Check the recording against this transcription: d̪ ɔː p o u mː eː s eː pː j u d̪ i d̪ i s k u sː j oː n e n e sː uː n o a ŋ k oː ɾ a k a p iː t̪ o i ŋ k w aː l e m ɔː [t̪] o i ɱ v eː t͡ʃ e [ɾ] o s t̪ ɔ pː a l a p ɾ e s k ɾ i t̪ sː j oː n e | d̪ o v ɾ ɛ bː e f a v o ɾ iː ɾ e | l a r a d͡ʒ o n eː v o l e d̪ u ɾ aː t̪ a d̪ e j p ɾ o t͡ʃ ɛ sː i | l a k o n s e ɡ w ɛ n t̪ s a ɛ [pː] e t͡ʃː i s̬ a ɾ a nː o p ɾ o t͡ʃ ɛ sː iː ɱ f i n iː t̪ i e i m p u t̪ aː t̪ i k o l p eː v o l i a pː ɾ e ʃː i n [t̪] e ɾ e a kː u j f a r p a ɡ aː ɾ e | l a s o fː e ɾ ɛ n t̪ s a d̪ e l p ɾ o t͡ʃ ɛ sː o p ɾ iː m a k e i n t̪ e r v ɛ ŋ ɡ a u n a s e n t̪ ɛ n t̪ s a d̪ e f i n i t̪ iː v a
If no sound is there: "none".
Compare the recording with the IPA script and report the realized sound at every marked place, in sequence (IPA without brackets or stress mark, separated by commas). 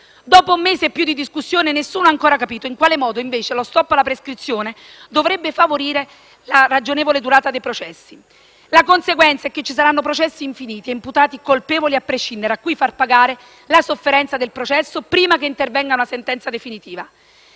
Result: d̪, l, kː, d̪